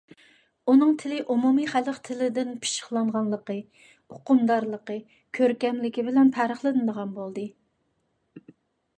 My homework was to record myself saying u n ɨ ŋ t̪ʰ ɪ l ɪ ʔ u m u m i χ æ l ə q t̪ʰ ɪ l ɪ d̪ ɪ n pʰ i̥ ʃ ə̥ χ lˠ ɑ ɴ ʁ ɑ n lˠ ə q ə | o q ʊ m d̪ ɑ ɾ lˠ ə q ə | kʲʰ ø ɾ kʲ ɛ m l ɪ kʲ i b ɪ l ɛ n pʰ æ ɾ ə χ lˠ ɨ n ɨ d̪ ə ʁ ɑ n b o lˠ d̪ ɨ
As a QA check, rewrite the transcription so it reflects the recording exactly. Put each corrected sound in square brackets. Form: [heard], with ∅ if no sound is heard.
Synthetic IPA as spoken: u n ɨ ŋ t̪ʰ ɪ l ɪ ʔ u m u m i χ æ l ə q t̪ʰ ɪ l ɪ d̪ ɪ n pʰ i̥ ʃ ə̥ χ lˠ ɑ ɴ ʁ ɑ n lˠ ə q ə | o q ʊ m d̪ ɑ ɾ lˠ ə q ə | kʲʰ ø ɾ kʲ ɛ m l ɪ kʲ i b ɪ l ɛ n pʰ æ ɾ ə χ lˠ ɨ n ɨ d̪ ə ʁ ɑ n b o lˠ d̪ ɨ